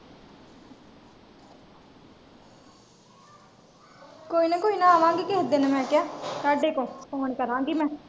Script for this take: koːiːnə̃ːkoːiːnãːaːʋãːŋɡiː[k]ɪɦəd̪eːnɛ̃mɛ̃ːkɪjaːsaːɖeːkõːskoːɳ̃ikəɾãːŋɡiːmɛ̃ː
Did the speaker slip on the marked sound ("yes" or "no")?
no